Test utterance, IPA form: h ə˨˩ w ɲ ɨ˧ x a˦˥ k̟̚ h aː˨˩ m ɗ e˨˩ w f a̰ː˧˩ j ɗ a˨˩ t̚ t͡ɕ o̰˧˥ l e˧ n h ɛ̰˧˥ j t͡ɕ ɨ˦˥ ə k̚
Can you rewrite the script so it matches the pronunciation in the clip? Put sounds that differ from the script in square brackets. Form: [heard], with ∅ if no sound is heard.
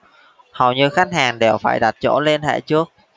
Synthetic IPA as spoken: h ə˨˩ w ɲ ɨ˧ x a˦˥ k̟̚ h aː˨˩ [ŋ] ɗ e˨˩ w f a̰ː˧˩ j ɗ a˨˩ t̚ t͡ɕ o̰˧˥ l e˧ n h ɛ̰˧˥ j t͡ɕ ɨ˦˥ ə k̚